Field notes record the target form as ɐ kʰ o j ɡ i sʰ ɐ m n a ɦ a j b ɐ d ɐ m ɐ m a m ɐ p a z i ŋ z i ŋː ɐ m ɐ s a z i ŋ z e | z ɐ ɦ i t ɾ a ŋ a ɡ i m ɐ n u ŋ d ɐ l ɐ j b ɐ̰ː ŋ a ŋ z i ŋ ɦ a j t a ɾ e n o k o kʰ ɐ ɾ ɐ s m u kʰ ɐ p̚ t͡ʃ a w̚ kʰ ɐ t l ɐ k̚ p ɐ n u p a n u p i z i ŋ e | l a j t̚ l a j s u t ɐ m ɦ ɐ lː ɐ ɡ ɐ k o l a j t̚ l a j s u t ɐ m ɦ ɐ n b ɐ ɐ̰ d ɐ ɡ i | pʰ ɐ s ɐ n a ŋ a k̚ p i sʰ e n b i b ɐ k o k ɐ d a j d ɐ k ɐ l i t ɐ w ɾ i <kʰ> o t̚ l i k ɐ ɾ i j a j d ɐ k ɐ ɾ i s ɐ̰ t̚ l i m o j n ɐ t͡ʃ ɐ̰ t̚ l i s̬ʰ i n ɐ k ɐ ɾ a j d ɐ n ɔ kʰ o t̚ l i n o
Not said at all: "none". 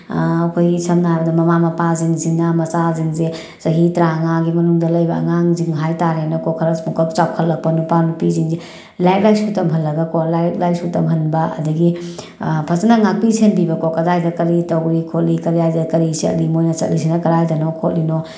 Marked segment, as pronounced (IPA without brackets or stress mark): kʰ